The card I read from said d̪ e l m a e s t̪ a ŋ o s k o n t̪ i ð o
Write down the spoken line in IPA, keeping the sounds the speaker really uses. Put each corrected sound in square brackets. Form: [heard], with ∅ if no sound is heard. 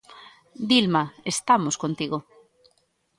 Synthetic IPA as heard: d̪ [i] l m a e s t̪ a [m] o s k o n t̪ i [ɣ] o